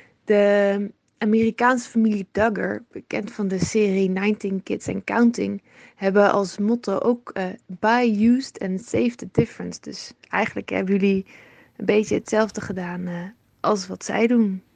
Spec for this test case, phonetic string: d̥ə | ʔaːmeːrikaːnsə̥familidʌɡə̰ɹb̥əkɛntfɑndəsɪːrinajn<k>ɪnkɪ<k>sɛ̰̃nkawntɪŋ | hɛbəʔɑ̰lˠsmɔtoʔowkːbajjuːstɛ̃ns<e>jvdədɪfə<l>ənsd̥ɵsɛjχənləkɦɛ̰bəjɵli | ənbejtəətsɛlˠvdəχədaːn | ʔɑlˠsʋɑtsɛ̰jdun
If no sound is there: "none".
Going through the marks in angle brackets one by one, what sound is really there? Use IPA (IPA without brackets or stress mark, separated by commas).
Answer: t, t, e, ɹ